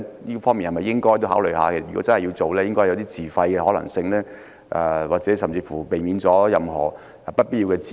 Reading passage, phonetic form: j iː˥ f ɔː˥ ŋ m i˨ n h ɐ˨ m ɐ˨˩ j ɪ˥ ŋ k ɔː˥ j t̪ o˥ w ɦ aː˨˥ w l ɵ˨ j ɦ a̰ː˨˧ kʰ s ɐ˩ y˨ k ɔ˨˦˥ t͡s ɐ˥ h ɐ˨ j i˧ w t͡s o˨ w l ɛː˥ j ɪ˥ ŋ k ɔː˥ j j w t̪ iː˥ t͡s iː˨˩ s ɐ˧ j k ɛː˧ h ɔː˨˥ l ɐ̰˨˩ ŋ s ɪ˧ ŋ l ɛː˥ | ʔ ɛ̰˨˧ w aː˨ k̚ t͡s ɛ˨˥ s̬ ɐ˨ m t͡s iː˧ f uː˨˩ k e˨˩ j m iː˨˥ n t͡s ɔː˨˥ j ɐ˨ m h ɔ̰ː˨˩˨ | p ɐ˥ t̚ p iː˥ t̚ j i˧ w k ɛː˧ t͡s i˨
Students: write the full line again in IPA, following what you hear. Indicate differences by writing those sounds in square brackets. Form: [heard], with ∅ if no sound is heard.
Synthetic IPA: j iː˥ f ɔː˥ ŋ m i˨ n h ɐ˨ m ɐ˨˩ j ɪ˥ ŋ k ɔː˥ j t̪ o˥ w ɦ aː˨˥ w l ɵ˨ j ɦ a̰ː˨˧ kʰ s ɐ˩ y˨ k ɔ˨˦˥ t͡s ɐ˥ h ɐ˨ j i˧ w t͡s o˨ w l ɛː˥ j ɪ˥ ŋ k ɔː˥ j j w t̪ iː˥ t͡s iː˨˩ [f] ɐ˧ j k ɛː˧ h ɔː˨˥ l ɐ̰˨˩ ŋ s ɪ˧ ŋ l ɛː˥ | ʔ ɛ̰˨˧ w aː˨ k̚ t͡s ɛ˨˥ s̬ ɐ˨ m t͡s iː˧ f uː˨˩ [p] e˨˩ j m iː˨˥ n t͡s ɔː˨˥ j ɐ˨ m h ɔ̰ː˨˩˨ | p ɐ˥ t̚ p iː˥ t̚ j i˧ w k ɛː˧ t͡s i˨

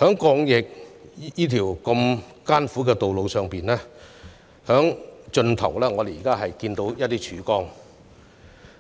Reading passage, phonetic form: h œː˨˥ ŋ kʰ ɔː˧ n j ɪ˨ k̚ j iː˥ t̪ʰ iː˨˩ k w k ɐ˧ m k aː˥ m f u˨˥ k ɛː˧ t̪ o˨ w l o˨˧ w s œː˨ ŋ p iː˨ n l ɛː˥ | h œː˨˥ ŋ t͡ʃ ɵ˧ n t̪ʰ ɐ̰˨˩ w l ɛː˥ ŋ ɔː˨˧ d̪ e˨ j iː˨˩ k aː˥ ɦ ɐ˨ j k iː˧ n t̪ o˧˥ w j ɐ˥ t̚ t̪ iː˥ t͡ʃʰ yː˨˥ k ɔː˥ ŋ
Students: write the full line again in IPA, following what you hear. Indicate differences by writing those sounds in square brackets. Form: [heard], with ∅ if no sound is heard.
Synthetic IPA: h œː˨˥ ŋ [k] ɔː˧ [ŋ] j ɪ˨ k̚ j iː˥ t̪ʰ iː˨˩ [∅] w k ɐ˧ m k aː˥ [n] f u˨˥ k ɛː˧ t̪ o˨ w l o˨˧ w s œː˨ ŋ p iː˨ n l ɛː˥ | h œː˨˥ ŋ t͡ʃ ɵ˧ n t̪ʰ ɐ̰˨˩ w l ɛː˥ ŋ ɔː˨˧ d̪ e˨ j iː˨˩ k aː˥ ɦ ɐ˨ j k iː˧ n t̪ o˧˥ w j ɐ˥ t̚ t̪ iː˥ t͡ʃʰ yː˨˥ k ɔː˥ ŋ

